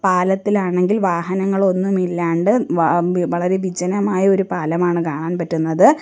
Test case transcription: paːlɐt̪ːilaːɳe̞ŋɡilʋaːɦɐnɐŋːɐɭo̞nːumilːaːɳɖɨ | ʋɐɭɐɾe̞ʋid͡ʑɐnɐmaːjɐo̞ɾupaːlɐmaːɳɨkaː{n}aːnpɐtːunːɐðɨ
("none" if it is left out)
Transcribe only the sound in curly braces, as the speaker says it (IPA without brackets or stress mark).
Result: ɳ